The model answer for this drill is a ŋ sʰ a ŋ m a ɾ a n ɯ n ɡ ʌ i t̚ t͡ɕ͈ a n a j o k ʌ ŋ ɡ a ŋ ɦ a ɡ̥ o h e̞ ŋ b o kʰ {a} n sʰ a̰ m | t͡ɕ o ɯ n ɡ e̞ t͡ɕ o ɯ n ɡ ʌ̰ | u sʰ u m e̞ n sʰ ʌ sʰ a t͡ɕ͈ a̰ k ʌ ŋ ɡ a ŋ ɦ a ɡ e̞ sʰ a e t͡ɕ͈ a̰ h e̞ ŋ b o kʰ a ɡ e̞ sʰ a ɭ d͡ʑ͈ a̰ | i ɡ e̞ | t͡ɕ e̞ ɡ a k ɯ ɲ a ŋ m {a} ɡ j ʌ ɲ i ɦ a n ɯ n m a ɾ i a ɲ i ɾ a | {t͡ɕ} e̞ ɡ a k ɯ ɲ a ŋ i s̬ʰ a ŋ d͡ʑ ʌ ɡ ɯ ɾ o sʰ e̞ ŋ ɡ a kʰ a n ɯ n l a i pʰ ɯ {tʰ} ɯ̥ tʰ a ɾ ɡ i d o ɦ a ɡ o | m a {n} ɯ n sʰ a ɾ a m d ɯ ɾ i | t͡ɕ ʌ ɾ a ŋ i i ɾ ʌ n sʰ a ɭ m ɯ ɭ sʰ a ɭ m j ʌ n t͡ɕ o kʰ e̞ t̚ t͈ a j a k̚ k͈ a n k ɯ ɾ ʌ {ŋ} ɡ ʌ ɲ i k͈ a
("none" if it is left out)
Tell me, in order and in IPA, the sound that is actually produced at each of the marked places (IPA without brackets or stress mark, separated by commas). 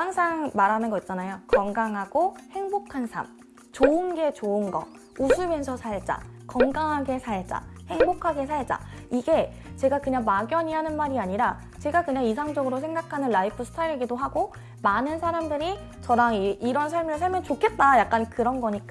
a, a, t͡ɕ, sʰ, n, n